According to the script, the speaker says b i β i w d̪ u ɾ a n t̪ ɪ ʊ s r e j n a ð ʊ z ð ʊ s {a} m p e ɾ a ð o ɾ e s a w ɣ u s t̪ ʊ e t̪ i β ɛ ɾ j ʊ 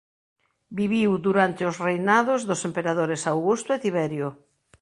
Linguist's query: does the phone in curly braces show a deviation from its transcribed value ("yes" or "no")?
yes